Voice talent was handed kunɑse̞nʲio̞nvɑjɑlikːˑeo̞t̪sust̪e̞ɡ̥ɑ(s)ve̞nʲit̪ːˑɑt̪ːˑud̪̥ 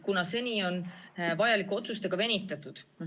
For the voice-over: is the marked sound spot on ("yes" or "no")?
no